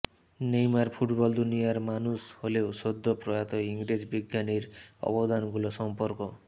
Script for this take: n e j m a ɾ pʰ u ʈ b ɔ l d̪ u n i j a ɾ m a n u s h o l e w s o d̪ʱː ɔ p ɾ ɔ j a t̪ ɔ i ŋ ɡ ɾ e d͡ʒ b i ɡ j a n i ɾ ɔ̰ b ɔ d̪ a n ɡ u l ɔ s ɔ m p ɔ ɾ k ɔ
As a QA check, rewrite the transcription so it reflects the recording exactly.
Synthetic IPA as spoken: n e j m a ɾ pʰ u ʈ b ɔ l d̪ u n i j a ɾ m a n u s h o l e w s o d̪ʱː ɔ p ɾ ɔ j a t̪ ɔ i ŋ ɡ ɾ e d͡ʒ b i ɡ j a n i ɾ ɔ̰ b ɔ d̪ a n ɡ u l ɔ s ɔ m p ɔ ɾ k ɔ

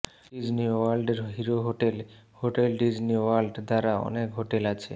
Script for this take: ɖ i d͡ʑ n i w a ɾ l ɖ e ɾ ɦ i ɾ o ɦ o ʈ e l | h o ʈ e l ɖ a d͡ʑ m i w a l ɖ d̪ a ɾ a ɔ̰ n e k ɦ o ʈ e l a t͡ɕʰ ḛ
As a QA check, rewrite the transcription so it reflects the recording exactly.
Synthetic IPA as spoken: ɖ i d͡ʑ n i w a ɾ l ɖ e ɾ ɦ i ɾ o ɦ o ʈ e l | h o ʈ e l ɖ i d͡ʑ n i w a l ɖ d̪ a ɾ a ɔ̰ n e k ɦ o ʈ e l a t͡ɕʰ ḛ

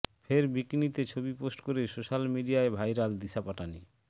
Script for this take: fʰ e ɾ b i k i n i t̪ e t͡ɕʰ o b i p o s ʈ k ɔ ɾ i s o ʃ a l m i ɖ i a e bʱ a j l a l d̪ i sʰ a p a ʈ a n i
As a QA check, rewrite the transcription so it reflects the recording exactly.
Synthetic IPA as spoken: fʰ e ɾ b i k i n i t̪ e t͡ɕʰ o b i p o s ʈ k o ɾ e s o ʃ a l m i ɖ i a e bʱ a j ɾ a l d̪ i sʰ a p a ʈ a n i

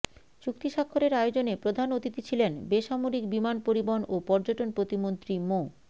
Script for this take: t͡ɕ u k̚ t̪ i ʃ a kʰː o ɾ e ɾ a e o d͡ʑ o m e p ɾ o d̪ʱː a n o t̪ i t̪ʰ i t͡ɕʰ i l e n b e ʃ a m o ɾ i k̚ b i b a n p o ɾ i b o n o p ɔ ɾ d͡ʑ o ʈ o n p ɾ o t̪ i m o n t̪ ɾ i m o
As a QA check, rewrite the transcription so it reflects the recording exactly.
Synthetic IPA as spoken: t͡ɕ u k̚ t̪ i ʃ a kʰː o ɾ e ɾ a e o d͡ʑ o n e p ɾ o d̪ʱ a n o t̪ i t̪ i t͡ɕʰ i l e n b e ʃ a m o ɾ i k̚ b i m a n p o ɾ i b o n o p ɔ ɾ d͡ʑ o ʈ o n p ɾ o t̪ i m o n t̪ ɾ i m o

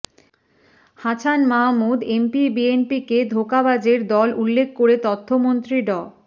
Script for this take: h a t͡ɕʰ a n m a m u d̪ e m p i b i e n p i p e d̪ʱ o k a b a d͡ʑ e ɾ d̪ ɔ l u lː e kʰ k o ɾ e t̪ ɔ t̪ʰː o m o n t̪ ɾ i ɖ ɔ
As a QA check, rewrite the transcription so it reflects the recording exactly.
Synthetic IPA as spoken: h a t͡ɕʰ a n m a m u d̪ e m p i b i e n p i k e d̪ʱ o k a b a d͡ʑ e ɾ d̪ ɔ l u lː e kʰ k o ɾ e t̪ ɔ t̪ʰː o m o n t̪ ɾ i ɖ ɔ

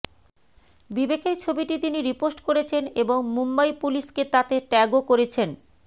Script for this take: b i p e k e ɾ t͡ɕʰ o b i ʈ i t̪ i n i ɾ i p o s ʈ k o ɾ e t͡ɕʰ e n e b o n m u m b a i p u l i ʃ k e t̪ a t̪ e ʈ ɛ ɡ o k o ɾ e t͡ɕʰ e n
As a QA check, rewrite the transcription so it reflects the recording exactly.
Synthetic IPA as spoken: b i b e k e ɾ t͡ɕʰ o b i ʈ i t̪ i n i ɾ i p o s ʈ k o ɾ e t͡ɕʰ e n e b o ŋ m u m b a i p u l i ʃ k e t̪ a t̪ e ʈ ɛ ɡ o k o ɾ e t͡ɕʰ e n

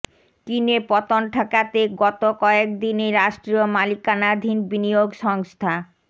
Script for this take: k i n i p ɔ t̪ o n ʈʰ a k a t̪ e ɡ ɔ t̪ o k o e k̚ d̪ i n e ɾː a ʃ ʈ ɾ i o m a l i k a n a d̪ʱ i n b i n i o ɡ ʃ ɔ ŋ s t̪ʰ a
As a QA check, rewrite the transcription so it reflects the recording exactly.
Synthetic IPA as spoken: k i n e p ɔ t̪ o n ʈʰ a k a t̪ e ɡ ɔ t̪ o k ɔ e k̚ d̪ i n e ɾ a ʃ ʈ ɾ i o m a l i k a n a d̪ʱ i n b i n i o ɡ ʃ ɔ ŋ s t̪ʰ a

